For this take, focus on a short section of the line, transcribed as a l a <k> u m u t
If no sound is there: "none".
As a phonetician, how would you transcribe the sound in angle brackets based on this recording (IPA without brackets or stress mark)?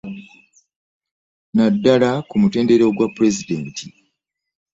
k